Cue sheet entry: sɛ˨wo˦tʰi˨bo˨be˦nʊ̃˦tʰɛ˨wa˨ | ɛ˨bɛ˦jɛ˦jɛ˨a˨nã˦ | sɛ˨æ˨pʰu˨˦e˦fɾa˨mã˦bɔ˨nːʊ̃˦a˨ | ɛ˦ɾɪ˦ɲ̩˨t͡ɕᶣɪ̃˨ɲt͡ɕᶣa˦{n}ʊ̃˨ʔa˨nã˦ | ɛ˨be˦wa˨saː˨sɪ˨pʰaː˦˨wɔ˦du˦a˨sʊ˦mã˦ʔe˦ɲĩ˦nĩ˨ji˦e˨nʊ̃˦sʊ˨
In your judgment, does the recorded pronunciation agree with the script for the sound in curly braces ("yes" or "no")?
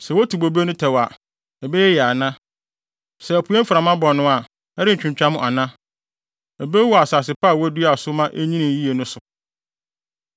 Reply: no